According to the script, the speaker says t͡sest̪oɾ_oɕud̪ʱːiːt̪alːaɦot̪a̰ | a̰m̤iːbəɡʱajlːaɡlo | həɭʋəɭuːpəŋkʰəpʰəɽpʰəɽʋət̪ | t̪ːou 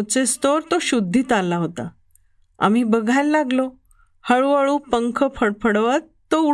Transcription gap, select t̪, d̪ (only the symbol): t̪